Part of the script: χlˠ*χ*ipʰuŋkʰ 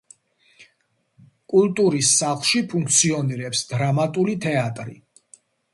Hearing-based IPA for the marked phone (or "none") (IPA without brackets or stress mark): ʃ